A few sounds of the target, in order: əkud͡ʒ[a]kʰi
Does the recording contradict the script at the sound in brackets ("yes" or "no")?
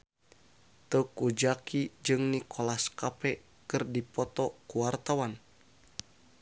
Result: no